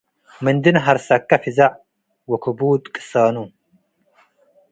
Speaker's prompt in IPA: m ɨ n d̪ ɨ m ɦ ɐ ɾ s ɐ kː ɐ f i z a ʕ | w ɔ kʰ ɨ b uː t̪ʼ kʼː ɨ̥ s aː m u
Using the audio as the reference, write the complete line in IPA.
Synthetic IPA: m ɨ n d̪ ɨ n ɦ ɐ ɾ s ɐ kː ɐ f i z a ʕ | w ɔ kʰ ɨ b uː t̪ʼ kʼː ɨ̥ s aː n u